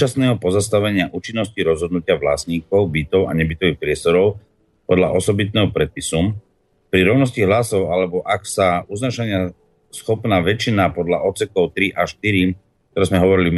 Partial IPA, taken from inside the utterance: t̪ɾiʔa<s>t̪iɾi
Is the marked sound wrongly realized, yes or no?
yes